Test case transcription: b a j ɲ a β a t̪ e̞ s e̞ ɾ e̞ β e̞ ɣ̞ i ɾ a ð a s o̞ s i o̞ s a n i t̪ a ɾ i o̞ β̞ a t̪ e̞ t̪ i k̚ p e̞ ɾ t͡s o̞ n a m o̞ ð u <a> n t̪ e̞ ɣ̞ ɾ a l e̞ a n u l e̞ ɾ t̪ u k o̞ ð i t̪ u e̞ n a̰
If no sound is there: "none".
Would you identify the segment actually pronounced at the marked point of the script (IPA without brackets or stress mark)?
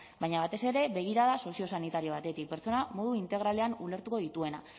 i